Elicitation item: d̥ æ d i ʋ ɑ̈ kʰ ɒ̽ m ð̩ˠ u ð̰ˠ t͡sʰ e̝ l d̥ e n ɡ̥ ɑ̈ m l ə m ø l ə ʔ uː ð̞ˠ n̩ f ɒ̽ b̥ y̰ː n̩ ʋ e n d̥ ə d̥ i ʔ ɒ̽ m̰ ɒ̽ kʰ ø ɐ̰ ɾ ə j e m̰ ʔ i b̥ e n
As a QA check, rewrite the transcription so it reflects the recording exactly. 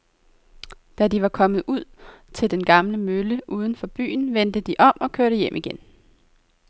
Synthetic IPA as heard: d̥ æ d i ʋ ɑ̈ kʰ ɒ̽ m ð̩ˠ u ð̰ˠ t͡sʰ e̝ l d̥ e n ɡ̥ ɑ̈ m l ə m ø l ə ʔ uː ð̞ˠ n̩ f ɒ̽ b̥ y̰ː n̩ ʋ e n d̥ ə d̥ i ʔ ɒ̽ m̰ ɒ̽ kʰ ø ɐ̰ ɾ ə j e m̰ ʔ i ɡ̥ e n

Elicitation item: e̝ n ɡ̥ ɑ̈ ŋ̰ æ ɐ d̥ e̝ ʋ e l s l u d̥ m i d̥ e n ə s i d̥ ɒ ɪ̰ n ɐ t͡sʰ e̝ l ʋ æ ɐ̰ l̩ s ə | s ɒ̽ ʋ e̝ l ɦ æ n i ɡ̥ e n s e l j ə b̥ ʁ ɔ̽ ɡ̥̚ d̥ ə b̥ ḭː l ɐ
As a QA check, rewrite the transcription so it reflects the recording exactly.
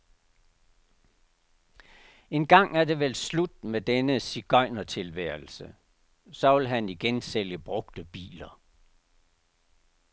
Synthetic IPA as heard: e̝ n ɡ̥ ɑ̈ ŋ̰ æ ɐ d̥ e̝ ʋ e l s l u d̥ m e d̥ e n ə s i ɡ̥ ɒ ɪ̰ n ɐ t͡sʰ e̝ l ʋ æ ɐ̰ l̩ s ə | s ɒ̽ ʋ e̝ l ɦ æ n i ɡ̥ e n s e l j ə b̥ ʁ ɔ̽ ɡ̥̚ d̥ ə b̥ ḭː l ɐ

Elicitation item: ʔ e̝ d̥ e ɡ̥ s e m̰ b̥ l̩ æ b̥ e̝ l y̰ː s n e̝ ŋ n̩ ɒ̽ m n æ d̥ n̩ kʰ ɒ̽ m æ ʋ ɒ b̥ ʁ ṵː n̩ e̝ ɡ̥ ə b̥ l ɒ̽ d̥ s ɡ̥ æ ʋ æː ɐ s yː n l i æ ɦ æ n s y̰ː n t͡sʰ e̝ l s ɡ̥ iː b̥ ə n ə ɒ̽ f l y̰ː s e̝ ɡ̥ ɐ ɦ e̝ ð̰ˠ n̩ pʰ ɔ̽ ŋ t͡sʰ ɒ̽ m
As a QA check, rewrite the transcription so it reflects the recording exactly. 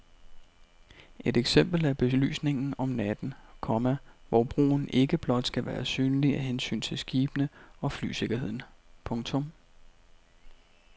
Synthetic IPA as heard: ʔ e̝ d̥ e ɡ̥ s e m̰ b̥ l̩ æ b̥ e̝ l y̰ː s n e̝ ŋ n̩ ɒ̽ m n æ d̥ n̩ kʰ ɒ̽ m æ ʋ ɒ b̥ ʁ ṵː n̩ e̝ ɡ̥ ə b̥ l ɒ̽ d̥ s ɡ̥ æ ʋ æː ɐ s yː n l i æ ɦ e n s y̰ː n t͡sʰ e̝ l s ɡ̥ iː b̥ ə n ə ɒ̽ f l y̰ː s e̝ ɡ̥ ɐ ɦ e̝ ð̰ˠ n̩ pʰ ɔ̽ ŋ t͡sʰ ɔ̽ m

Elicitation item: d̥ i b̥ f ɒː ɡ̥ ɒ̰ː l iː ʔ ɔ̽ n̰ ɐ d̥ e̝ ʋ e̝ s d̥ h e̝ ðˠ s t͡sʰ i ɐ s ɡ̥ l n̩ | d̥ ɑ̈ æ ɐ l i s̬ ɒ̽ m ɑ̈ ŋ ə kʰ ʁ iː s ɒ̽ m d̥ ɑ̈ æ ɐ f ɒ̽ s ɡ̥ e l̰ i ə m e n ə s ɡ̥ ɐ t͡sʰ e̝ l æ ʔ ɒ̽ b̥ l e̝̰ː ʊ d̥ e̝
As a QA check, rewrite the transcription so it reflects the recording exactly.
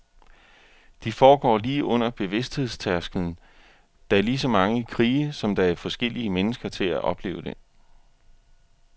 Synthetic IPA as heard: d̥ i f ɒː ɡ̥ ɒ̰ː l iː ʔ ɔ̽ n̰ ɐ b̥ e̝ ʋ e̝ s d̥ h e̝ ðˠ s t͡sʰ æ ɐ s ɡ̥ l n̩ | d̥ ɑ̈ æ ɐ l i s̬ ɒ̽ m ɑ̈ ŋ ə kʰ ʁ iː s ɒ̽ m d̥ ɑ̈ æ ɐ f ɒ̽ s ɡ̥ e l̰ i ə m e n ə s ɡ̥ ɐ t͡sʰ e̝ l æ ʔ ɒ̽ b̥ l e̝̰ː ʊ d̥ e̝

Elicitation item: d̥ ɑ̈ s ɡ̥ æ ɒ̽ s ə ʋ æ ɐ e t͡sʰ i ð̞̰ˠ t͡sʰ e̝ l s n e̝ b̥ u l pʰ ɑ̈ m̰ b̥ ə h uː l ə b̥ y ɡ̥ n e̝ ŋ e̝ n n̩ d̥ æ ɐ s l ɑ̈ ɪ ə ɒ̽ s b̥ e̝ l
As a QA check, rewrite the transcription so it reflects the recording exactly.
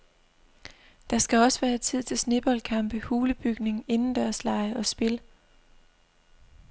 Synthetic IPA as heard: d̥ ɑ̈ s ɡ̥ æ ɒ̽ s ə ʋ æː ɐ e t͡sʰ i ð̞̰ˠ t͡sʰ e̝ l s n e̝ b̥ ɒ l kʰ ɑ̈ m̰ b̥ ə h uː l ə b̥ y ɡ̥ n e̝ ŋ e̝ n n̩ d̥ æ ɐ s l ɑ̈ ɪ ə ɒ̽ s b̥ e̝ l

